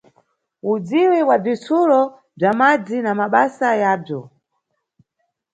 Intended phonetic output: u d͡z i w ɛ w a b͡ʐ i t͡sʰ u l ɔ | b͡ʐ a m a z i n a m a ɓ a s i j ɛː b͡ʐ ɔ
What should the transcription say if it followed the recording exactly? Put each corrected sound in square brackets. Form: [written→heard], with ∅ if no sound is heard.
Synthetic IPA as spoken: u d͡z i w ɛ w a b͡ʐ i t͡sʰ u l ɔ | b͡ʐ a m a [z→d͡z] i n a m a ɓ a s [i→a] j [ɛː→aː] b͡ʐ ɔ